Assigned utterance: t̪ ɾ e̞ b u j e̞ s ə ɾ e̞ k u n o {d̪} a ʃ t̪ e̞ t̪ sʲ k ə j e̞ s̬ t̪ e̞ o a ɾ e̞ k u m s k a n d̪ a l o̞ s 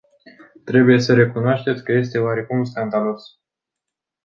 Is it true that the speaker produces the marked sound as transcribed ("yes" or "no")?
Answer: no